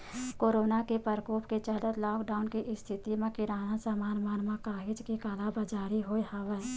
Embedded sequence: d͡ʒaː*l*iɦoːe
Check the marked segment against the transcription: incorrect: ɾ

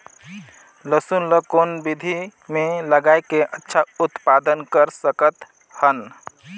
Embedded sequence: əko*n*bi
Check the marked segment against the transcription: correct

